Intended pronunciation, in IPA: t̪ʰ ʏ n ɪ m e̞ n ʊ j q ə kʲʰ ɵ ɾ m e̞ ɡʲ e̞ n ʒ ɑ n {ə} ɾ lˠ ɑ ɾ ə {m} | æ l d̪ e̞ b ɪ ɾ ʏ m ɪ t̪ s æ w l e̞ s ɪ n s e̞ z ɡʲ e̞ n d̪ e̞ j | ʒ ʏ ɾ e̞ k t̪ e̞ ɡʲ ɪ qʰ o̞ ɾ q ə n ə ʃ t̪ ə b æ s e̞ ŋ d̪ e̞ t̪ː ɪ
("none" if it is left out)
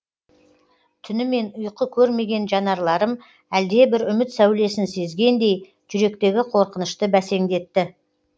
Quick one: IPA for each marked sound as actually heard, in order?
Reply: ɑ, m

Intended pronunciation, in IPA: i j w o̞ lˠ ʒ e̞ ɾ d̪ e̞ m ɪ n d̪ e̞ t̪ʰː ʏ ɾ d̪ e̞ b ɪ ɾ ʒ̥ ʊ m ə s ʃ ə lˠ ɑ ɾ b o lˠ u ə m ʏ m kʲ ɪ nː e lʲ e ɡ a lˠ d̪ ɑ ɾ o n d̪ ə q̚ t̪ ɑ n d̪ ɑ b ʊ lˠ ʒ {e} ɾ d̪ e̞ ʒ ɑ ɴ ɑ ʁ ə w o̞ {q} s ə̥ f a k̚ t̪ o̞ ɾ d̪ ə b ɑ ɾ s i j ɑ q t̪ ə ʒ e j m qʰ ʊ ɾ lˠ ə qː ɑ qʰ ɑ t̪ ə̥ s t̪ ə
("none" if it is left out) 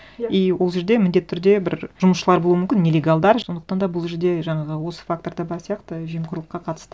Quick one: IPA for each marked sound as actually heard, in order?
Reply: e, none

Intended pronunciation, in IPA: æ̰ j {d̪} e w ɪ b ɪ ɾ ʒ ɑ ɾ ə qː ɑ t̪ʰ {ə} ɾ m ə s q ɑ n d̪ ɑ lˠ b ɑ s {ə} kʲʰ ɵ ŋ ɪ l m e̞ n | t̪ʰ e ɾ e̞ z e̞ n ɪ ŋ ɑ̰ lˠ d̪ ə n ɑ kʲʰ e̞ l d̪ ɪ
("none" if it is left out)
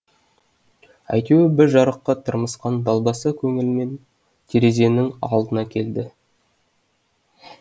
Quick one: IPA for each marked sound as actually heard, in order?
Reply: t̪, ə, ə

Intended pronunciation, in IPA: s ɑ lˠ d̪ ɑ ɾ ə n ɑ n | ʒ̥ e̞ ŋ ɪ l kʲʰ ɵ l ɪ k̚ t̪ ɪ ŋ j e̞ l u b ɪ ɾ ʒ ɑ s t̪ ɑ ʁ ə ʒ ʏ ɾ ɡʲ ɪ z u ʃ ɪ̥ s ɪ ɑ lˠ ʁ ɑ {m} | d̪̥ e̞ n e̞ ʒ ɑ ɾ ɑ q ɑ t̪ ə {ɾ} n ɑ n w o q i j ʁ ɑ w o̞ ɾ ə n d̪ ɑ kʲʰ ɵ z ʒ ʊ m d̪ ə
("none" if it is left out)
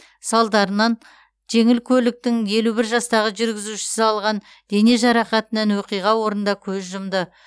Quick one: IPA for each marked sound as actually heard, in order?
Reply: n, none

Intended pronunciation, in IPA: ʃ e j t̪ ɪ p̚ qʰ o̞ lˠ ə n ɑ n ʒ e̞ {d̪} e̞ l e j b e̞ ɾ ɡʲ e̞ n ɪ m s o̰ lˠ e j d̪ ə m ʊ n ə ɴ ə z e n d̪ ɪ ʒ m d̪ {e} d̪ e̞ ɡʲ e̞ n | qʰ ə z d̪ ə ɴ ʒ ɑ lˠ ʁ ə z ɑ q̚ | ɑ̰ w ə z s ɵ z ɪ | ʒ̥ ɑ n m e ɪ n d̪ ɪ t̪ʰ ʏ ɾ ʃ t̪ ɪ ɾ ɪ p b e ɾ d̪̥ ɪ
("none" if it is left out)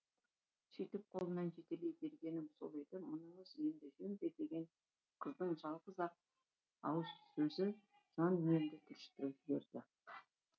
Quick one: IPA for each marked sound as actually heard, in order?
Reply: t̪, e

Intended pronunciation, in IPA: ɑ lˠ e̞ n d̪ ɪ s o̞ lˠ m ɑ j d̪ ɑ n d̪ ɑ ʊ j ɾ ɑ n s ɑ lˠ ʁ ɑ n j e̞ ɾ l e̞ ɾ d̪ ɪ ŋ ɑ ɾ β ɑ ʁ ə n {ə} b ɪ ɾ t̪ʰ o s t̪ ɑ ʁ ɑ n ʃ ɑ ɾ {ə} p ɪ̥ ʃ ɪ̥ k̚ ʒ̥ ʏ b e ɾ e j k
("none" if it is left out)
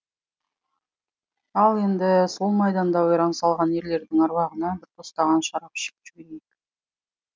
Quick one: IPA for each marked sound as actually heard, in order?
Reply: ɑ, ɑ

